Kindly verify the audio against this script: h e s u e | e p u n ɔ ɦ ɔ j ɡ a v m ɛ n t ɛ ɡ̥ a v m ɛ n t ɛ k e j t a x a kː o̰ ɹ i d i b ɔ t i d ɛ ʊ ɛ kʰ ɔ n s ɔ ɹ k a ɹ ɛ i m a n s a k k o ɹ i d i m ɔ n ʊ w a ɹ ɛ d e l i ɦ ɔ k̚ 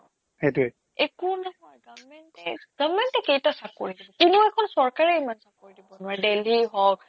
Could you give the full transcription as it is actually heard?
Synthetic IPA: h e t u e | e k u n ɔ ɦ ɔ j ɡ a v m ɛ n t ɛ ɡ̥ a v m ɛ n t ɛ k e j t a s a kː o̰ ɹ i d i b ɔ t i n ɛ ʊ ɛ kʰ ɔ n s ɔ ɹ k a ɹ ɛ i m a n s a k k o ɹ i d i b ɔ n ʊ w a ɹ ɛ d e l i ɦ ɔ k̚

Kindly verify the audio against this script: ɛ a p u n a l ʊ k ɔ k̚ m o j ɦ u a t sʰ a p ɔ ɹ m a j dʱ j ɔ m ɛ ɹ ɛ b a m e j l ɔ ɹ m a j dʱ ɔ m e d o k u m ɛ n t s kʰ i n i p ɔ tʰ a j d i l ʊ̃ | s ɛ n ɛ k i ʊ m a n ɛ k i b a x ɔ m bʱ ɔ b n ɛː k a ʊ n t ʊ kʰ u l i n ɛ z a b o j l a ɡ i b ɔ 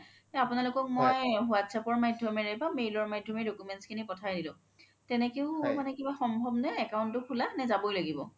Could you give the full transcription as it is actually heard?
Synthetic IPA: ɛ a p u n a l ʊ k ɔ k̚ m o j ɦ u a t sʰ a p ɔ ɹ m a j dʱ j ɔ m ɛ ɹ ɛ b a m e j l ɔ ɹ m a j dʱ ɔ m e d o k u m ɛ n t s kʰ i n i p ɔ tʰ a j d i l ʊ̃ | t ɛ n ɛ k e ʊ m a n ɛ k i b a x ɔ m bʱ ɔ b n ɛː k a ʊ n t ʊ kʰ u l a n ɛ z a b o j l a ɡ i b ɔ

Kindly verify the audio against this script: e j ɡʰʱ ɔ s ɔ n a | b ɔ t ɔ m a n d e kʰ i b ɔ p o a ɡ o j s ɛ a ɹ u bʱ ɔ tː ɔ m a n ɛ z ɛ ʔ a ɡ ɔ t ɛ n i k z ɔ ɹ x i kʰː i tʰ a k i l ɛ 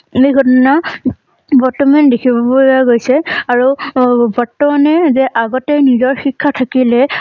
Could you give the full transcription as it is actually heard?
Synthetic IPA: e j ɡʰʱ ɔ t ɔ n a | b ɔ t ɔ m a n d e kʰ i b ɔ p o a ɡ o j s ɛ a ɹ u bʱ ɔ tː ɔ m a n ɛ z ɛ ʔ a ɡ ɔ t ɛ n i z ɔ ɹ x i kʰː a tʰ a k i l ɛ

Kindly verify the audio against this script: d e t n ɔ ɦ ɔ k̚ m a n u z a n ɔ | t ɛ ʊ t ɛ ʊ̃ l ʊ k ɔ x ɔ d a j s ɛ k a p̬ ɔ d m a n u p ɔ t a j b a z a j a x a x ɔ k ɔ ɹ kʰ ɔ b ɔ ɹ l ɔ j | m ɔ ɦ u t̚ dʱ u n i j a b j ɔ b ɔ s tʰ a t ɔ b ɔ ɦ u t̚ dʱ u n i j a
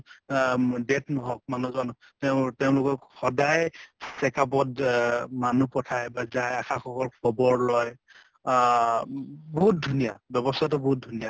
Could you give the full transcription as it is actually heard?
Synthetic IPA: d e t n ɔ ɦ ɔ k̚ m a n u z a n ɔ | t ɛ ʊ t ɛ ʊ̃ l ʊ k ɔ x ɔ d a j s ɛ k a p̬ ɔ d m a n u p ɔ tʰ a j b a z a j a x a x ɔ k ɔ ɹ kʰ ɔ b ɔ ɹ l ɔ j | b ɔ ɦ u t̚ dʱ u n i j a b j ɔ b ɔ s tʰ a t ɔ b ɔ ɦ u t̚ dʱ u n i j a

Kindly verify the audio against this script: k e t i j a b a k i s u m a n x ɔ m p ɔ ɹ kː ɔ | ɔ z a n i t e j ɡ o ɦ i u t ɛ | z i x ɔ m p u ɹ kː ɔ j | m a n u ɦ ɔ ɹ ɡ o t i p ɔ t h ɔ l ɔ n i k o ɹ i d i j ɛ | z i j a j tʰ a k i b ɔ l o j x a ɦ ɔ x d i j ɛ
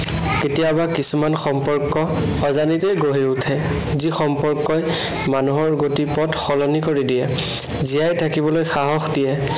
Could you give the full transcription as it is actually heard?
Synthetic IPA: k e t i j a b a k i s u m a n x ɔ m p ɔ ɹ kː ɔ | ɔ z a n i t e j ɡ o ɦ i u tʰ ɛ | z i x ɔ m p ɔ ɹ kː ɔ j | m a n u ɦ ɔ ɹ ɡ o t i p ɔ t x ɔ l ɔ n i k o ɹ i d i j ɛ | z i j a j tʰ a k i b ɔ l o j x a ɦ ɔ x d i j ɛ

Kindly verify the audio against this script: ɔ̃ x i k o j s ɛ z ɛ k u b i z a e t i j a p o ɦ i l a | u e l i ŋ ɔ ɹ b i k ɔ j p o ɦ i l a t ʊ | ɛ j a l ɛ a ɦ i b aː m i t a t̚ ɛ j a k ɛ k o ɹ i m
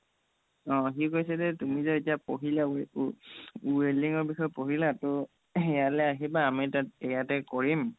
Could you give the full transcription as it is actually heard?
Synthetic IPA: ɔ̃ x i k o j s ɛ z ɛ t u m i z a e t i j a p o ɦ i l a | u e l i ŋ ɔ ɹ b i x ɔ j p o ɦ i l a t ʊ | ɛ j a l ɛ a ɦ i b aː m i t a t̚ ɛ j a t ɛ k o ɹ i m

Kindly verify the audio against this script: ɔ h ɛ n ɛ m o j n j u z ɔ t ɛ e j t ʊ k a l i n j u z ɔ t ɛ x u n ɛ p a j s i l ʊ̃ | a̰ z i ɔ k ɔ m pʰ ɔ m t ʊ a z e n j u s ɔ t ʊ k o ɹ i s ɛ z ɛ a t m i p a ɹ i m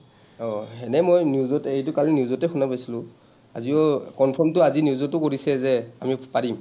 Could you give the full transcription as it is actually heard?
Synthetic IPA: ɔ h ɛ n ɛ m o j n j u z ɔ t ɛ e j t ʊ k a l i n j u z ɔ t ɛ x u n a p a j s i l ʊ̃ | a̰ z i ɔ k ɔ n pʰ ɔ m t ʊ a z i n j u z ɔ t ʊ k o ɹ i s ɛ z ɛ a m i p a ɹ i m

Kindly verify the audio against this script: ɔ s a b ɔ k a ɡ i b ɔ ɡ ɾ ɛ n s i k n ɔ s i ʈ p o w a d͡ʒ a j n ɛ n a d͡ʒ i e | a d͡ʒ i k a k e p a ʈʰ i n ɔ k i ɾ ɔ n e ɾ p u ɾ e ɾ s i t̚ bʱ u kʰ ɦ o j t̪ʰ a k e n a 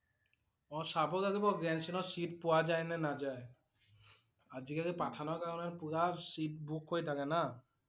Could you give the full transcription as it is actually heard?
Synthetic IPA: ɔ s a b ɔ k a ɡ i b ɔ ɡ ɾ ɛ n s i n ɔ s i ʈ p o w a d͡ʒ a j n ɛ n a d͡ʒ a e | a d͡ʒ i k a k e p a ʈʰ a n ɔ k a ɾ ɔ n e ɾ p u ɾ a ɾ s i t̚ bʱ u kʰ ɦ o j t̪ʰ a k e n a

